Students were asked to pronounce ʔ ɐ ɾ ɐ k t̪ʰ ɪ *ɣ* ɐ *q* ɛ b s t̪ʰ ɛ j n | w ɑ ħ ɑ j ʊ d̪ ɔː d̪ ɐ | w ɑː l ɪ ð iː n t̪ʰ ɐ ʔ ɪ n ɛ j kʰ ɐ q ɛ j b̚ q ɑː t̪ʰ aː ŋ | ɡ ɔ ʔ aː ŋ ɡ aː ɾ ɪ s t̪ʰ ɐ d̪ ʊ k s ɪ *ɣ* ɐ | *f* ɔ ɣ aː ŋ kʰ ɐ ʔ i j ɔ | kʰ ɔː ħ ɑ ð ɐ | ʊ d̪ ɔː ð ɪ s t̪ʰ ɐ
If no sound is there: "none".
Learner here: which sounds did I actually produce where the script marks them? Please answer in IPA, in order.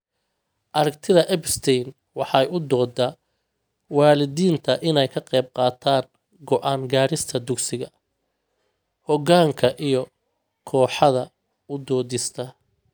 ð, ʔ, ɣ, h

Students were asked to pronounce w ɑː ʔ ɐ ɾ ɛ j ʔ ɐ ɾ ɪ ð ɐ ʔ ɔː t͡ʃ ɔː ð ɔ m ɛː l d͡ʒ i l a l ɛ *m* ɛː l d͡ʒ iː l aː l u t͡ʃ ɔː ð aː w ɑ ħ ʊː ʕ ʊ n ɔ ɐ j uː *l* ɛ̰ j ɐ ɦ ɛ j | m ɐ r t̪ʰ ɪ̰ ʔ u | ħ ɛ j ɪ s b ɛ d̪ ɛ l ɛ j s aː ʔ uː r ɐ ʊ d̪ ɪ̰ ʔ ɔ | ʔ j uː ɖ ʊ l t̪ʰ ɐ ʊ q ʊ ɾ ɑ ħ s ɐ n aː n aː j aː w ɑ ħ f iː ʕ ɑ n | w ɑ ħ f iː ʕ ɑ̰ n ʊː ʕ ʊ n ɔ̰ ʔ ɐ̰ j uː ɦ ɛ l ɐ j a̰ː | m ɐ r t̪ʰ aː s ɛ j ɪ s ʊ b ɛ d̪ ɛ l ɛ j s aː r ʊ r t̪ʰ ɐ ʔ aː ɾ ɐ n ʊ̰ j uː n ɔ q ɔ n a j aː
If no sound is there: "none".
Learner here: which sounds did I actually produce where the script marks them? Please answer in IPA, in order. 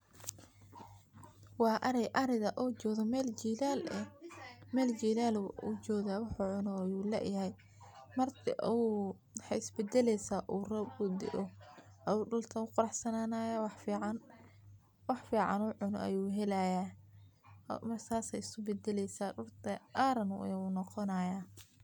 m, l

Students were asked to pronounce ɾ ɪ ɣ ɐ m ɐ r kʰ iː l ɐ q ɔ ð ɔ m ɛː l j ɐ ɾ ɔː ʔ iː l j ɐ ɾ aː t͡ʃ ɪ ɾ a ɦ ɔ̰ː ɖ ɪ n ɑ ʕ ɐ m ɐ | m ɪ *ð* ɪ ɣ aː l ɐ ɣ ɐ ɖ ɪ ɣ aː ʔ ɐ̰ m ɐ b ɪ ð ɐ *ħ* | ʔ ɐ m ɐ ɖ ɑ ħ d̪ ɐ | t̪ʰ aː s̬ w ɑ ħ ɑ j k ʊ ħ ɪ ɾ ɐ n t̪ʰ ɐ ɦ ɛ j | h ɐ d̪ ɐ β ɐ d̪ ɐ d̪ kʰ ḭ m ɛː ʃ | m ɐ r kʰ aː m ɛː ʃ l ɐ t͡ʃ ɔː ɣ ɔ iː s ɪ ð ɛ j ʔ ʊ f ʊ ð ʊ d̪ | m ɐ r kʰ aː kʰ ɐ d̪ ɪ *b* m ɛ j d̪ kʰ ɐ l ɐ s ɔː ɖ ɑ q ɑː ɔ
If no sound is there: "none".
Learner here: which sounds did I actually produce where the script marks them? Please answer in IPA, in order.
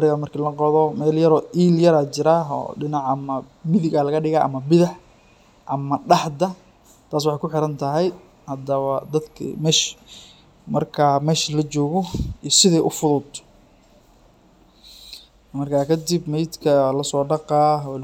ð, ħ, b

